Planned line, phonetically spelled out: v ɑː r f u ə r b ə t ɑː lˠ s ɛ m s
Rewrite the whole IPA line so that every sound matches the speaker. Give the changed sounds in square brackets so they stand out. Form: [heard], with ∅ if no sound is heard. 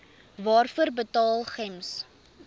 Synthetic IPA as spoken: v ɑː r f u ə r b ə t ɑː lˠ [χ] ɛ m s